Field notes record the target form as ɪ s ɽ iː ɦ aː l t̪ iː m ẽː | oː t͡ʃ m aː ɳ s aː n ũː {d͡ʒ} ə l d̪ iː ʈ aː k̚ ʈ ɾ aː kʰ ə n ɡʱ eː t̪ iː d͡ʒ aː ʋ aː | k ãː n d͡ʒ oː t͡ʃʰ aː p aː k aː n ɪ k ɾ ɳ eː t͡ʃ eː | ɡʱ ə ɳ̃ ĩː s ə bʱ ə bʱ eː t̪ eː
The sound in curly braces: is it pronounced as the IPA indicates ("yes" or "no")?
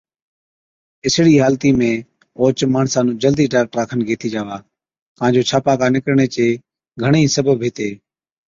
yes